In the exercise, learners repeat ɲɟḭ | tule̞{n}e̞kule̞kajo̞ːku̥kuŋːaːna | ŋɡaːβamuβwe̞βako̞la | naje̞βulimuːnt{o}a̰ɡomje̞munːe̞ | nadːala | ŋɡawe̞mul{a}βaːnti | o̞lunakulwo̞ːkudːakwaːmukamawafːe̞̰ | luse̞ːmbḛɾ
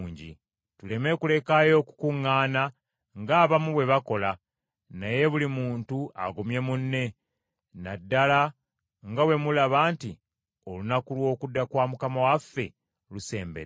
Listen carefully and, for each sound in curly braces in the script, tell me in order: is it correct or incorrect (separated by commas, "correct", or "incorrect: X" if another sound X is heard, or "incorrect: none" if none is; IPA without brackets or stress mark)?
incorrect: m, incorrect: u, correct